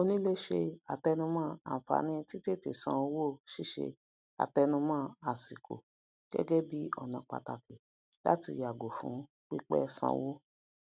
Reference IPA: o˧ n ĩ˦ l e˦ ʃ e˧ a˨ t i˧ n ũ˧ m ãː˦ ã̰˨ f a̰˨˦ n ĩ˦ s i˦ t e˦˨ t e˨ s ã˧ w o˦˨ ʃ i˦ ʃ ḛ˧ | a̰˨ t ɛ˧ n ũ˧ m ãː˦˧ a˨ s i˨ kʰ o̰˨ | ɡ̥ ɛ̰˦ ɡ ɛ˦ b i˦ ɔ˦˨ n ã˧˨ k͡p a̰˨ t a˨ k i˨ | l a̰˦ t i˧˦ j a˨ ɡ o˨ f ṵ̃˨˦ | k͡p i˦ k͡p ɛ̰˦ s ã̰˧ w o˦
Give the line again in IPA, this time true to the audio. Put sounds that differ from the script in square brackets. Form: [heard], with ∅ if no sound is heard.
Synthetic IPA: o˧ n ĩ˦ l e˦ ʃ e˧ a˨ t [ɛ˧] n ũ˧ m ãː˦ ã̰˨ f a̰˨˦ n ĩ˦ [t] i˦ t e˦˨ t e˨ s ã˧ w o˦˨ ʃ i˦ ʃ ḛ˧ | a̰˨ t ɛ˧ n ũ˧ m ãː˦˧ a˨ s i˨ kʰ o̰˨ | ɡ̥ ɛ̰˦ ɡ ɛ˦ b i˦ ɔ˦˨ n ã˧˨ k͡p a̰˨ t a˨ k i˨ | l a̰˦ t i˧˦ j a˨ ɡ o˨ f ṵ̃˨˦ | k͡p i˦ k͡p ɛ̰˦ s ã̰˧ w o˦